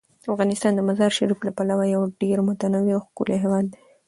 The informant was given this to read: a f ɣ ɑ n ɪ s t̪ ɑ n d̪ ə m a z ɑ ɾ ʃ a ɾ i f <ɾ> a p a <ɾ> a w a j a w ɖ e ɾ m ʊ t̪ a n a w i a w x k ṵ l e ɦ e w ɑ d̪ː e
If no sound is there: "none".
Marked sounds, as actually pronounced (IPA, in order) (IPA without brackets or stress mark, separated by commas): l, l